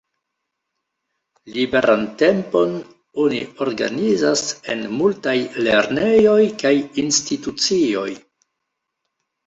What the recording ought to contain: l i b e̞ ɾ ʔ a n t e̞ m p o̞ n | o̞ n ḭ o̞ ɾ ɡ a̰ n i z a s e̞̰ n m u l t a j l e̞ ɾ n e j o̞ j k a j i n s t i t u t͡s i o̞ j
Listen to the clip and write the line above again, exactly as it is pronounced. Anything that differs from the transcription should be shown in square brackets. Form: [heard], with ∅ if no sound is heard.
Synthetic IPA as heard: l i b e̞ ɾ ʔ a n t e̞ m p o̞ n | o̞ n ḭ o̞ ɾ ɡ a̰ n i z a s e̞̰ n m u l t a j l e̞ ɾ n e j o̞ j k a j i n s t i t u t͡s i o̞ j